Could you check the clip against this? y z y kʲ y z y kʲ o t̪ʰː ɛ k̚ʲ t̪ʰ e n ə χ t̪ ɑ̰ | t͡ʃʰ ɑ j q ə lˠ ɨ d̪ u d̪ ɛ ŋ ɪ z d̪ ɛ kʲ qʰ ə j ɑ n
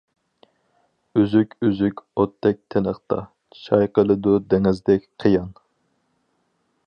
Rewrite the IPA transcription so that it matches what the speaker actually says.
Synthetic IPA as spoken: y z y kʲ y z y kʲ o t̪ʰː ɛ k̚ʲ t̪ʰ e n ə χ t̪ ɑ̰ | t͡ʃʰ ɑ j q ə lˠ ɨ d̪ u d̪ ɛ ŋ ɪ z d̪ ɛ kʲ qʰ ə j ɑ n